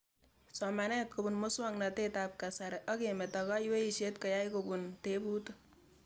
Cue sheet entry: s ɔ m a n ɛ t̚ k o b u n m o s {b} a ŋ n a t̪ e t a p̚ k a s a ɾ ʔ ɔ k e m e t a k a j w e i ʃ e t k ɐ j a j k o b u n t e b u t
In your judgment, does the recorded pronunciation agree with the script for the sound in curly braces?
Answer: no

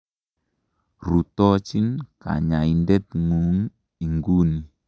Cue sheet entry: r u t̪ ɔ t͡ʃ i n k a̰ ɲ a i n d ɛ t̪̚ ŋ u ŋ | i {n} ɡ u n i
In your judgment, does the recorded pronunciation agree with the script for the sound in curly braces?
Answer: no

